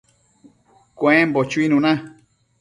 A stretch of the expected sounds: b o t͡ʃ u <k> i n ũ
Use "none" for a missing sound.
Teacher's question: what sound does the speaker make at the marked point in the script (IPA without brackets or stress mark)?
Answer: none